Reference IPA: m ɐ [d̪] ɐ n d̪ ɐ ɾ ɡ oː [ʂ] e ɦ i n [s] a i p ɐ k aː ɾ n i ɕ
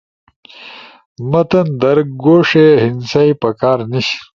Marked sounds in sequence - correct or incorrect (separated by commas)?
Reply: incorrect, correct, correct